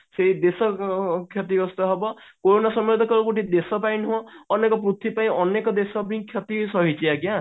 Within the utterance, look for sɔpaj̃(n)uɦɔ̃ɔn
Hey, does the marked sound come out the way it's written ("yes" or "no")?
yes